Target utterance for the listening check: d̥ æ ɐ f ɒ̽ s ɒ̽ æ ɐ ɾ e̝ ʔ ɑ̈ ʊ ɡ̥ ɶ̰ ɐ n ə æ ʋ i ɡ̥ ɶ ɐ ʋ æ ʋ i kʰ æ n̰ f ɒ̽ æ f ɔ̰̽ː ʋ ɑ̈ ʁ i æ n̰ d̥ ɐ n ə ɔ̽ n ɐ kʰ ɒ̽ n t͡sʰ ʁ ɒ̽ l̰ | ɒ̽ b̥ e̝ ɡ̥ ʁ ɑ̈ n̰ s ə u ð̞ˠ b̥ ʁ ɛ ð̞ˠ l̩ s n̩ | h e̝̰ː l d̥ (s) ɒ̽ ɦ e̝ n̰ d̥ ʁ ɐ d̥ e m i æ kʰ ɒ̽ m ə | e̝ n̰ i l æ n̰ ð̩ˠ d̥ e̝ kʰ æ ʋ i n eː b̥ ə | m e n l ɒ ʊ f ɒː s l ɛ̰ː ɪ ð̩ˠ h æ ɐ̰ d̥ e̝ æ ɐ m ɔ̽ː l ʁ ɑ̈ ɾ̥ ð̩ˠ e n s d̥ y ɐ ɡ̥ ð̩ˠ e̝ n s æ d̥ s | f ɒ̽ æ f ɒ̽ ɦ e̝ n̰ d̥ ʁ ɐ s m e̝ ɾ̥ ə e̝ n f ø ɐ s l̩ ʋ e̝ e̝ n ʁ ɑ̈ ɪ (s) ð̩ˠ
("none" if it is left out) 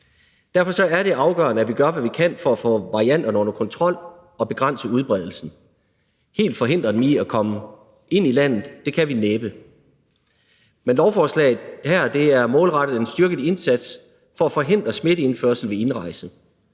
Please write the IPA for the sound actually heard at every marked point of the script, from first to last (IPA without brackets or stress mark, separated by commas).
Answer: f, s